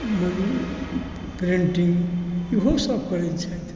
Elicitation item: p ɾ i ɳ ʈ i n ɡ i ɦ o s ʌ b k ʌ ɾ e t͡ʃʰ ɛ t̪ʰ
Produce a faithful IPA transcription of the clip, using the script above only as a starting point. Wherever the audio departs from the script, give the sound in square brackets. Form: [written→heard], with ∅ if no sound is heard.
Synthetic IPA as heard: p ɾ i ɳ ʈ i [n→ŋ] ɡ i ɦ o s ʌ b k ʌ ɾ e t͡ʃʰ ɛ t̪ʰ

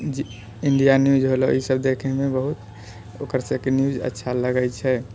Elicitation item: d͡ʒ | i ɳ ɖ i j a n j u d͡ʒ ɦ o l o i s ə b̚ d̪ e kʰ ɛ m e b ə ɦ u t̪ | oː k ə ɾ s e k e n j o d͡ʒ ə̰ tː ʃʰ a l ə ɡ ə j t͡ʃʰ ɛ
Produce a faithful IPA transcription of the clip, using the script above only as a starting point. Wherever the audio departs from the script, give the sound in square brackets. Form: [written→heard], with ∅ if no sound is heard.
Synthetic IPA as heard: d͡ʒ | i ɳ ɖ i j a n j u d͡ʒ ɦ o l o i s ə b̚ d̪ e kʰ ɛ m e b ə ɦ u t̪ | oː k ə ɾ s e k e n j [o→u] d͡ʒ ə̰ tː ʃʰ a l ə ɡ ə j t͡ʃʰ ɛ

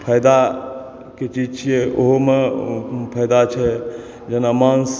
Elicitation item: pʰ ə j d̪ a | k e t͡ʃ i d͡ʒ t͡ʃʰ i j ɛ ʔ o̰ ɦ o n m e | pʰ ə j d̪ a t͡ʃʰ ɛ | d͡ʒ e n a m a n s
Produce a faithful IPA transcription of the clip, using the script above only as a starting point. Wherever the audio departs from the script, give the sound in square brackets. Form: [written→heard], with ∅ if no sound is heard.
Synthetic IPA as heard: pʰ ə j d̪ a | k e t͡ʃ i d͡ʒ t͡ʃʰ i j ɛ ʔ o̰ ɦ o [n→∅] m e | pʰ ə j d̪ a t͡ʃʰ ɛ | d͡ʒ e n a m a n s

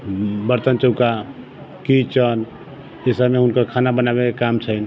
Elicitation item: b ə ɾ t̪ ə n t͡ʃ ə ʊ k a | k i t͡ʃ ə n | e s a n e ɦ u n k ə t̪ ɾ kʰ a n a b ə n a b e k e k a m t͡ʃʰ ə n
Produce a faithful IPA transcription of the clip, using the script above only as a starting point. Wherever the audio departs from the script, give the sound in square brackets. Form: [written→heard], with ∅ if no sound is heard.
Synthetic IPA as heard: b ə ɾ t̪ ə n t͡ʃ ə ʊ k a | k i t͡ʃ ə n | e s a [n→m] e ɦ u n k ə [t̪→∅] ɾ kʰ a n a b ə n a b e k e k a m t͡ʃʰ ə n

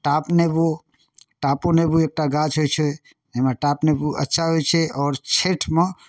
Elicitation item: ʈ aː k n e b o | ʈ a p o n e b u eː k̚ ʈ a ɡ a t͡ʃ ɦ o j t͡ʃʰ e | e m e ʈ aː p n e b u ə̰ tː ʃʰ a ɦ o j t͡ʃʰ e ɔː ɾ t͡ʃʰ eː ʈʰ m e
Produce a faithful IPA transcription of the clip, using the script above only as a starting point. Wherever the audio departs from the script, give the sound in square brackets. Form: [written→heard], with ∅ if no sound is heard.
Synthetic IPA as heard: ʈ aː [k→p] n e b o | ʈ a p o n e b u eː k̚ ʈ a ɡ a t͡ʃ ɦ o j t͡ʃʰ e | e m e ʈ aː p n e b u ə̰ tː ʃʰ a ɦ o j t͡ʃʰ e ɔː ɾ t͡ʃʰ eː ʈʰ m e

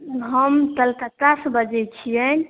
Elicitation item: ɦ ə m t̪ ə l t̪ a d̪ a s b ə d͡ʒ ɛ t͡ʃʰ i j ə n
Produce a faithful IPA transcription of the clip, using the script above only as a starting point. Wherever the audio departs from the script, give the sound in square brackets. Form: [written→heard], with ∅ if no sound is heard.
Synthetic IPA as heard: ɦ ə m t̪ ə l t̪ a [d̪→t̪] a s b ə d͡ʒ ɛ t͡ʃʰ i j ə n

